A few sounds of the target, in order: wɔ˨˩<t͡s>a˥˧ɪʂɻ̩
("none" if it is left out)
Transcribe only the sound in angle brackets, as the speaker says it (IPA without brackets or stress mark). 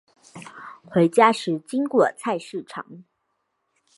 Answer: t͡sʰ